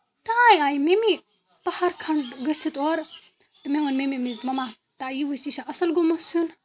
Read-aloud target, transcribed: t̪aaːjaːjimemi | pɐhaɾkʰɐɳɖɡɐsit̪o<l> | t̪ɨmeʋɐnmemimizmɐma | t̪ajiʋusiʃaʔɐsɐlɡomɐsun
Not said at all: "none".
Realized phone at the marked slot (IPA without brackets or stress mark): ɾ